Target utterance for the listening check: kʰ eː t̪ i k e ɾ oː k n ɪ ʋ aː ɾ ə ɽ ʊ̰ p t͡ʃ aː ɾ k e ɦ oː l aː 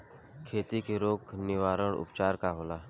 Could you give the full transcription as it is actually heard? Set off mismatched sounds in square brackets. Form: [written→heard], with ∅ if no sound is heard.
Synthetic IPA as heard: kʰ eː t̪ i k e ɾ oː k n ɪ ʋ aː ɾ ə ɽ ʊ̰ p t͡ʃ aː ɾ k [e→a] ɦ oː l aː